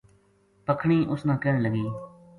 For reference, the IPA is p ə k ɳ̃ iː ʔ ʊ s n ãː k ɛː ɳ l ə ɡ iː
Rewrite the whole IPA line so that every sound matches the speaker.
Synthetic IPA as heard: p ə kʰ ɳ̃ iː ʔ ʊ s n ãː k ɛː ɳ l ə ɡ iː